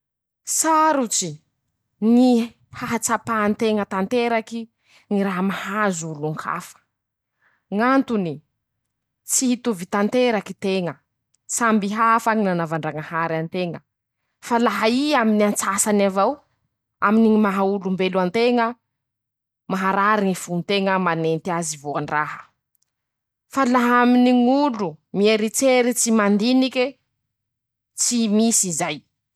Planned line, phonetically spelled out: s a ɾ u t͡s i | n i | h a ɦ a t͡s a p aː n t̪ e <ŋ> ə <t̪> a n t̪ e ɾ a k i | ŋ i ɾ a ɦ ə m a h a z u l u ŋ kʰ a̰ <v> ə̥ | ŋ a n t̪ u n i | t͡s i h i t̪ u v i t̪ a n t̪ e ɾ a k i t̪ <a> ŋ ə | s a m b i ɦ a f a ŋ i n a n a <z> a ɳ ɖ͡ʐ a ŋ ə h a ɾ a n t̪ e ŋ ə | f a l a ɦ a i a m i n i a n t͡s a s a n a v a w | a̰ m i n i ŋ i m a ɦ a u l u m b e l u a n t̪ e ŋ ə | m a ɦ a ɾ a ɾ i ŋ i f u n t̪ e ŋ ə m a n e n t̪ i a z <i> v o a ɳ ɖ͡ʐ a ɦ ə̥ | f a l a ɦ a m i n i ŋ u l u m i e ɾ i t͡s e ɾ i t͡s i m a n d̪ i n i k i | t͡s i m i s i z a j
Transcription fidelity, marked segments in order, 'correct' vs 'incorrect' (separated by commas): correct, correct, incorrect, incorrect, incorrect, correct